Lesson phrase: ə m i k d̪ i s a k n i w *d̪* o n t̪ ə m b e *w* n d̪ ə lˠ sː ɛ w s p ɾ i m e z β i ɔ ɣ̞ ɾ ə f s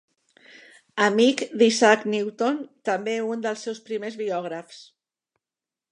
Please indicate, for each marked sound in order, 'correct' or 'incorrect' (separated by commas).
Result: incorrect, incorrect